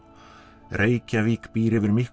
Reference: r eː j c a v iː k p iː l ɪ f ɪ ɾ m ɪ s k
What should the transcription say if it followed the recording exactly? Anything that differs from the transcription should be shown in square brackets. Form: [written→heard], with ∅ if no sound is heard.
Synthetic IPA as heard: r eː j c a v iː k p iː [l→ɾ] ɪ [f→v] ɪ ɾ m ɪ [s→h] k